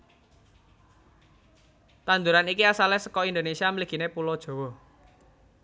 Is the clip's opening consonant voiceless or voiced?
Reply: voiceless